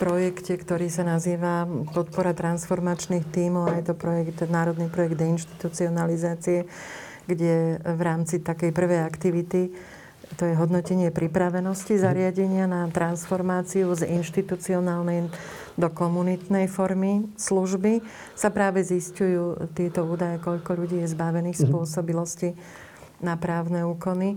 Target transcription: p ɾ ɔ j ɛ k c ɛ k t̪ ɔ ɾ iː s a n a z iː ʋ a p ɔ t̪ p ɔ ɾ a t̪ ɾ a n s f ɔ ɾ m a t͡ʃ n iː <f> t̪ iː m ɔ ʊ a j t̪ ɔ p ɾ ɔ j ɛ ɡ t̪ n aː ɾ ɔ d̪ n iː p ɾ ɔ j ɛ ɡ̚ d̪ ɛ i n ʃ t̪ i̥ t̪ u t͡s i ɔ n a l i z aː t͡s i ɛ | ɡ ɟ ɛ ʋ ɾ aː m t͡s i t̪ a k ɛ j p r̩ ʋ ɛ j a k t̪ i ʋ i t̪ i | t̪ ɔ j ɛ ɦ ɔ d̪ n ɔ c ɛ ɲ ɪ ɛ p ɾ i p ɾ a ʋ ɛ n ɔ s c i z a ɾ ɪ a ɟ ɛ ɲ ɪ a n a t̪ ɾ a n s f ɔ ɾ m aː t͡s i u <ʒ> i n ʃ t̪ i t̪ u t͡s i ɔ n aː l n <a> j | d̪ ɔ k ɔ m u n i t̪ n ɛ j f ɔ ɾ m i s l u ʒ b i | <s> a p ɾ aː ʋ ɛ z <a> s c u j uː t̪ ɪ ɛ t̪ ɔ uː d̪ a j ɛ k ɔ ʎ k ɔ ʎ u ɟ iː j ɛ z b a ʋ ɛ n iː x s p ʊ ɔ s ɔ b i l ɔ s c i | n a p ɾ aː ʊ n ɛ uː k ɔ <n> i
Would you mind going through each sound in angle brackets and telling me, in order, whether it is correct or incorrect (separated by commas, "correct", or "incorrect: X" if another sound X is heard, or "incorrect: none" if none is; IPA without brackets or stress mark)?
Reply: incorrect: x, incorrect: z, incorrect: ɛ, correct, incorrect: i, correct